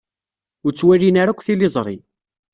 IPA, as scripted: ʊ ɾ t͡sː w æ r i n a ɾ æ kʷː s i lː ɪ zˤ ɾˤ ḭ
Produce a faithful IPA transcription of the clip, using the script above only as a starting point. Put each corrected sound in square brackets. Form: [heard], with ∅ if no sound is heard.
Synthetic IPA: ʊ ɾ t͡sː w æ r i n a ɾ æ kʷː [θ] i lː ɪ zˤ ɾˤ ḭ